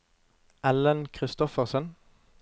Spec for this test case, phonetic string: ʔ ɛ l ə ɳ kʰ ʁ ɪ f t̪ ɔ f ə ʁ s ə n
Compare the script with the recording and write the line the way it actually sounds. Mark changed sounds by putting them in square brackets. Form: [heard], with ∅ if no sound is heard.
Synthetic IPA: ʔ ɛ l ə [n] kʰ ʁ ɪ [s] t̪ ɔ f ə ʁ s ə n